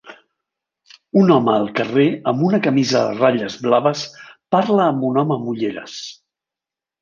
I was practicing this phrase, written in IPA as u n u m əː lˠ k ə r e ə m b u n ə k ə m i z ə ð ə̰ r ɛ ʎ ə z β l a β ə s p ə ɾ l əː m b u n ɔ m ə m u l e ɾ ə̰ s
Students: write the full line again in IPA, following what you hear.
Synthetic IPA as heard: u n ɔ m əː lˠ k ə r e ə m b u n ə k ə m i z ə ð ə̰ r a ʎ ə z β l a β ə s p a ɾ l əː m b u n ɔ m ə m u ʎ e ɾ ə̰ s